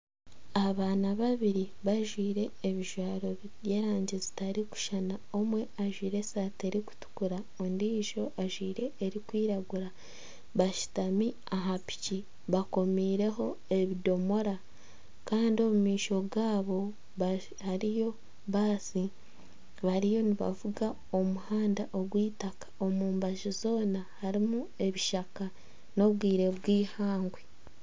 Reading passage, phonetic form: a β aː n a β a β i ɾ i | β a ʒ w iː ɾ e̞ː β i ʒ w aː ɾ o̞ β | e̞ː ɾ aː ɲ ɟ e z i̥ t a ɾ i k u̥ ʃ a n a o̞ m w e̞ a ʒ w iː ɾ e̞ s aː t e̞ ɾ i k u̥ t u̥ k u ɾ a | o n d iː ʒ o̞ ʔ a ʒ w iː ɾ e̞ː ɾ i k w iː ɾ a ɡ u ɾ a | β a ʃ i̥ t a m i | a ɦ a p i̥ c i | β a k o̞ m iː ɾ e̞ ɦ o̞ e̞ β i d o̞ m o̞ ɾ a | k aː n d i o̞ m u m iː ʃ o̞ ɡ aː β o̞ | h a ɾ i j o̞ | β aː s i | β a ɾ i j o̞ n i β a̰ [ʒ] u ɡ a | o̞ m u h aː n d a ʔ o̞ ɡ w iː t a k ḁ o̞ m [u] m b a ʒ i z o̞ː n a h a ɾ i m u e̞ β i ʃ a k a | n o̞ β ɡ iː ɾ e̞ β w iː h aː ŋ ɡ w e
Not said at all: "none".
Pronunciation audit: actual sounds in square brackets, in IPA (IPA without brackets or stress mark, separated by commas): v, uː